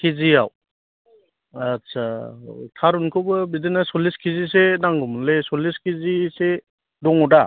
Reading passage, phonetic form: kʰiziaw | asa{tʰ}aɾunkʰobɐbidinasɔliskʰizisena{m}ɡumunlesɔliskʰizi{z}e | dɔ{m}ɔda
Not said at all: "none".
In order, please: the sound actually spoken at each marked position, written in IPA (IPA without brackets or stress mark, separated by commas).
tʰ, ŋ, s, ŋ